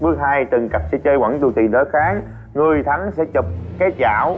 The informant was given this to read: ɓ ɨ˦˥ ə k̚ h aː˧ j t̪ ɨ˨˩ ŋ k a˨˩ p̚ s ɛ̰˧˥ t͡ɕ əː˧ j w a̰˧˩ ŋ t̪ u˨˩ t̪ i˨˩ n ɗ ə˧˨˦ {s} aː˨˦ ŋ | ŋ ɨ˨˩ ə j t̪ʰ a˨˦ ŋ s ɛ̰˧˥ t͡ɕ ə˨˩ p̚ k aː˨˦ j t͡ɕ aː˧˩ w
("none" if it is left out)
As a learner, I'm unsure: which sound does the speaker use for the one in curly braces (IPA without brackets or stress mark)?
x